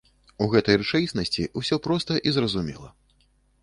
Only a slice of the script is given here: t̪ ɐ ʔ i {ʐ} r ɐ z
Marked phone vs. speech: incorrect: z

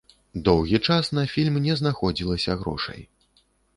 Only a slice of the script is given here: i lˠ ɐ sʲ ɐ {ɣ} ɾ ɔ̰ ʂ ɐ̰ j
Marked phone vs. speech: correct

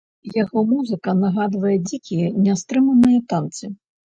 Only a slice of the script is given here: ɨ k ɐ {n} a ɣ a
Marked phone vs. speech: correct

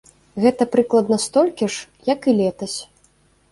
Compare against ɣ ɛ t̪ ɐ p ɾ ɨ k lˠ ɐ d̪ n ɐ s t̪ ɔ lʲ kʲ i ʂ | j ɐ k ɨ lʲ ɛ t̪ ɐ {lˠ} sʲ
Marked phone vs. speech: incorrect: none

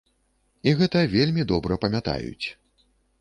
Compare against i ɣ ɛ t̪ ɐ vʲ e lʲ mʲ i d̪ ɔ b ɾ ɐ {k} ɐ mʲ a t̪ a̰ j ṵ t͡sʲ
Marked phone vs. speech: incorrect: p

